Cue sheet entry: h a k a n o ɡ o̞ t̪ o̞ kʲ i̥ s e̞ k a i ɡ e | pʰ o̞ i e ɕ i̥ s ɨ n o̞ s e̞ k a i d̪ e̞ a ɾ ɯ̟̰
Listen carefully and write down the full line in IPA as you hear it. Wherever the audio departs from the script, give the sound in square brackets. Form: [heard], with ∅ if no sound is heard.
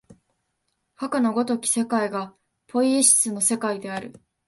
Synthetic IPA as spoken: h a k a n o ɡ o̞ t̪ o̞ kʲ i̥ s e̞ k a i ɡ [a] | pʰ o̞ i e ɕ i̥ s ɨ n o̞ s e̞ k a i d̪ e̞ a ɾ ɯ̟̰